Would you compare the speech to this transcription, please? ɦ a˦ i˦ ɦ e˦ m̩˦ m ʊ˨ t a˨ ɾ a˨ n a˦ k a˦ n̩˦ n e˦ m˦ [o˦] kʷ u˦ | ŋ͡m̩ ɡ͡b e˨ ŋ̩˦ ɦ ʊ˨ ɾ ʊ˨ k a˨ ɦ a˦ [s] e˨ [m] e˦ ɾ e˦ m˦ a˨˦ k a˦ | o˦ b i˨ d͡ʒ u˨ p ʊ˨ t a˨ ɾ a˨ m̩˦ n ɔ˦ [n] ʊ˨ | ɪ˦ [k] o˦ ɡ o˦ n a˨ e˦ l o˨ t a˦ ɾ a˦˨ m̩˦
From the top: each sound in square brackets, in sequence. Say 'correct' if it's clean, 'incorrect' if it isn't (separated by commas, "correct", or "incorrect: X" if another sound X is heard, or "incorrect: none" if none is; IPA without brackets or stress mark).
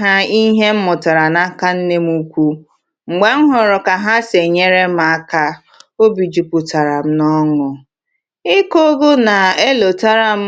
incorrect: u˦, correct, incorrect: ɲ, incorrect: ŋ, correct